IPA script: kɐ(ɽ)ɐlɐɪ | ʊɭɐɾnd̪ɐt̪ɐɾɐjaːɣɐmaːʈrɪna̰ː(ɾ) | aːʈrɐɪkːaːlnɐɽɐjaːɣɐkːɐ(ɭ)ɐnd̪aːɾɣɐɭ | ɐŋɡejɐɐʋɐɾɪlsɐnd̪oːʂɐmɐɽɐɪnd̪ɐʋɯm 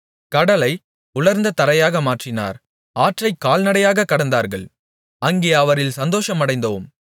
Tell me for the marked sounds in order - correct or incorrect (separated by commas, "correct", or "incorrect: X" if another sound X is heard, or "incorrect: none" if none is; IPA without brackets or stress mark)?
correct, correct, incorrect: ɽ